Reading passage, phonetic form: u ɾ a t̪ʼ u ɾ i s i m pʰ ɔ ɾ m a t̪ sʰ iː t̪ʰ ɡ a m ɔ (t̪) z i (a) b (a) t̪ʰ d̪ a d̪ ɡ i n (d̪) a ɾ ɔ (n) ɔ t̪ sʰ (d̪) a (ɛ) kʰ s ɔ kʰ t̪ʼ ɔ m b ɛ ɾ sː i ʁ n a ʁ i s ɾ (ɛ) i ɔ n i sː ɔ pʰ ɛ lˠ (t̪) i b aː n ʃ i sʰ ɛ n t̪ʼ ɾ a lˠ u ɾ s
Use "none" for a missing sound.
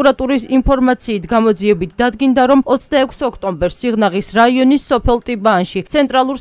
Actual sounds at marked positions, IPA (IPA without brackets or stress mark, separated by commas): d̪, ɛ, i, d̪, m, d̪, ɛ, a, t̪ʼ